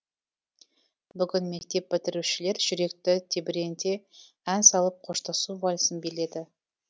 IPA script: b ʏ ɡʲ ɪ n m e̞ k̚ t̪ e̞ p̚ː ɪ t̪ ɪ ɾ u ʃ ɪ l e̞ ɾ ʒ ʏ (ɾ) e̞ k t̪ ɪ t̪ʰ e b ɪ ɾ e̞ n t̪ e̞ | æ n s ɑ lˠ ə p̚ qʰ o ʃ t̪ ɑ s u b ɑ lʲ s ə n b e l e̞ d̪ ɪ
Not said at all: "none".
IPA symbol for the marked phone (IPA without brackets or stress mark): ɾ